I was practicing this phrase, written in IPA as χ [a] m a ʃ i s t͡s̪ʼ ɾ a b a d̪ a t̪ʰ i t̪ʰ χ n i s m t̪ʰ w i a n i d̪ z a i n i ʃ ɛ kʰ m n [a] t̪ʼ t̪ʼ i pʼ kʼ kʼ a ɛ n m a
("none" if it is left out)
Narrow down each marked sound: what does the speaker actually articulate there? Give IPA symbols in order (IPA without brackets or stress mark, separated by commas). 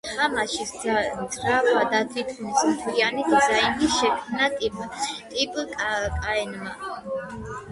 a, a